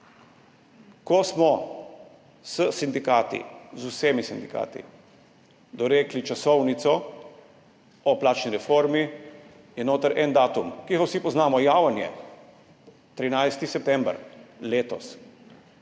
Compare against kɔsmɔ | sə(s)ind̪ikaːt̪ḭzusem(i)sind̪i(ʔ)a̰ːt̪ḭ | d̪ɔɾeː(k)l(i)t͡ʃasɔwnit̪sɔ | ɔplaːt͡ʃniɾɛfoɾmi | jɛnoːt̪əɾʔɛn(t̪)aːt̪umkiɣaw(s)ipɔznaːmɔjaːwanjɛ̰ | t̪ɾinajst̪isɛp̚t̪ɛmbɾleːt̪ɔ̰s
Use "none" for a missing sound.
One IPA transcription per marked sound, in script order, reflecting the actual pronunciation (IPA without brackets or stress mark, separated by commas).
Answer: s, i, k, k, i, d̪, s